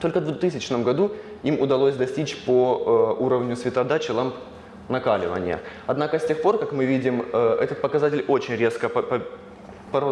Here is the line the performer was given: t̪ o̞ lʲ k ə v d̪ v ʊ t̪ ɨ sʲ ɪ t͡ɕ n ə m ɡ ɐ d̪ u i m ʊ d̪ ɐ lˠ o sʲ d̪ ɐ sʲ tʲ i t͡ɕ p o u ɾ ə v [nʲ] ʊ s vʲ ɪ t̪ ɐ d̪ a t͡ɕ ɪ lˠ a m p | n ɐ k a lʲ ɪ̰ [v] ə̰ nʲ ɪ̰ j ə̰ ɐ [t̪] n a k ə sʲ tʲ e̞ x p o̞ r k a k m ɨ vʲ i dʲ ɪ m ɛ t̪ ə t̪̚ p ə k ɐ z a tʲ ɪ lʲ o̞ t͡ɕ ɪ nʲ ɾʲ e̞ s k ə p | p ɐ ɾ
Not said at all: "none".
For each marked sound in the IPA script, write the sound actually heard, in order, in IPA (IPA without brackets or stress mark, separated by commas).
nʲ, v, d̪